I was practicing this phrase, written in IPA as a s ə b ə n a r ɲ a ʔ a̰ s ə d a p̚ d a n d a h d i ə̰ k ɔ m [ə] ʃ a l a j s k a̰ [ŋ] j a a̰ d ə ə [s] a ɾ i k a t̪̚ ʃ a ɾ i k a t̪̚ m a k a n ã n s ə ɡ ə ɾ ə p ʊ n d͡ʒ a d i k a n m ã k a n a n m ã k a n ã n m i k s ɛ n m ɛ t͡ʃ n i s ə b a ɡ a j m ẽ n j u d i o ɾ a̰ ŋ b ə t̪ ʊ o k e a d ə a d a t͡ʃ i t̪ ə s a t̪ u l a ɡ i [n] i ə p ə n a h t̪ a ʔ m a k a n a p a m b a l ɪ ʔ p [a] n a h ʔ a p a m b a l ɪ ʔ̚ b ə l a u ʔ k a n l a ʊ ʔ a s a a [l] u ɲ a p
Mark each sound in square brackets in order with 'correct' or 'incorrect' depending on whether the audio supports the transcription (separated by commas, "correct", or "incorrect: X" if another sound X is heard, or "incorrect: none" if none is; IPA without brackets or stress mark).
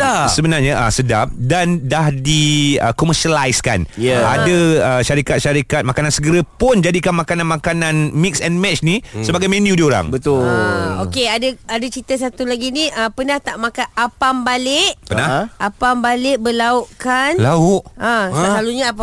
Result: correct, incorrect: n, incorrect: ʃ, correct, incorrect: ə, correct